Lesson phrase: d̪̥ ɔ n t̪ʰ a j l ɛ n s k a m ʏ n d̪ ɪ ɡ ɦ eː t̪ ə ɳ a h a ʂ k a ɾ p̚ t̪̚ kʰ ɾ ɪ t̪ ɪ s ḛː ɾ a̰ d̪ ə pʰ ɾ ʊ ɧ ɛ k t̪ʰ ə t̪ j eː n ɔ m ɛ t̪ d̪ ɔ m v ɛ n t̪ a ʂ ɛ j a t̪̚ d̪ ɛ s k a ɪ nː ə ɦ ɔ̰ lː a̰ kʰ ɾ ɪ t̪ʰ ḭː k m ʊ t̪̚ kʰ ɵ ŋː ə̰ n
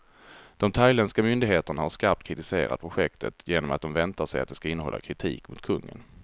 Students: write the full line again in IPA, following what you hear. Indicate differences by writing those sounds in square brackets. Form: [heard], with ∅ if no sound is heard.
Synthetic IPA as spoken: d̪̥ ɔ [m] t̪ʰ a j l ɛ n s k a m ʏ n d̪ ɪ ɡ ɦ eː t̪ ə ɳ a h a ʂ k a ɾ p̚ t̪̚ kʰ ɾ ɪ t̪ ɪ s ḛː ɾ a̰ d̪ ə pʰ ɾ ʊ ɧ ɛ k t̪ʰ ə t̪ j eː n ɔ m [a] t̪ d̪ ɔ m v ɛ n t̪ a ʂ ɛ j a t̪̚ d̪ ɛ s k a ɪ nː ə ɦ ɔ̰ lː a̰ kʰ ɾ ɪ t̪ʰ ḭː k m ʊ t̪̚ kʰ ɵ ŋː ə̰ n